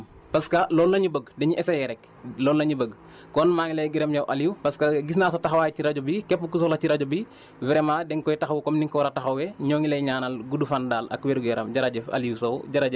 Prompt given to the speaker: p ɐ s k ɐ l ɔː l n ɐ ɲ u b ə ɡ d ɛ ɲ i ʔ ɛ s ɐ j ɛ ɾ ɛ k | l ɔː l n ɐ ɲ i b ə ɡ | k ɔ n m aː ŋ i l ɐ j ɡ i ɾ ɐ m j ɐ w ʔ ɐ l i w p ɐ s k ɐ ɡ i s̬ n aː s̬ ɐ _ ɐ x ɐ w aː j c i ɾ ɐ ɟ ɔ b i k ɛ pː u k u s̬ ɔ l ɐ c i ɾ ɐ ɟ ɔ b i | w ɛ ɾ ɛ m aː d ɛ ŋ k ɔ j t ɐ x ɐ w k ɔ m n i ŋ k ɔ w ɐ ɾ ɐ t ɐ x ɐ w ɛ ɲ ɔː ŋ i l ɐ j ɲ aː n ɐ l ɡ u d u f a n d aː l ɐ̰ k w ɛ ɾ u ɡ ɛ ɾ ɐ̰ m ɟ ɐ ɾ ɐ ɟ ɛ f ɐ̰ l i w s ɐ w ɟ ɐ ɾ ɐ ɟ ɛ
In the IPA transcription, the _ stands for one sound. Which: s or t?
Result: t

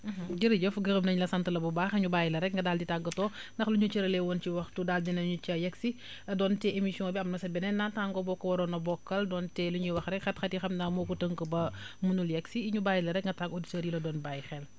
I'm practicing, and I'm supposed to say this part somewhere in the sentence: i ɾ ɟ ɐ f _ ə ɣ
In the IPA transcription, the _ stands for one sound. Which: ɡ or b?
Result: ɡ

